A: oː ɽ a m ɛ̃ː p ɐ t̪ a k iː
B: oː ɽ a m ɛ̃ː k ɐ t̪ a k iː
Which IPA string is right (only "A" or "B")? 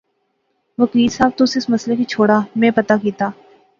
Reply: A